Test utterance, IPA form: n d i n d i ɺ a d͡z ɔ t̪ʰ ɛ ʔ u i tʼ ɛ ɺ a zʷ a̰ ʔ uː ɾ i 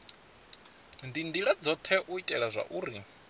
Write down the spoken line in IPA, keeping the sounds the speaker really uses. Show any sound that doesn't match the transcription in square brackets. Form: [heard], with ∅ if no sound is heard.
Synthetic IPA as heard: n d i n d i ɺ a d͡z ɔ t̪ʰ ɛ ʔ u i tʼ ɛ ɺ a zʷ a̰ ʔ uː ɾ i